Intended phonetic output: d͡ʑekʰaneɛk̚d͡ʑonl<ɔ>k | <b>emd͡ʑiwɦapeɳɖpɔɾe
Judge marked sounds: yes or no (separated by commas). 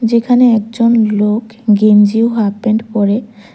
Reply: no, no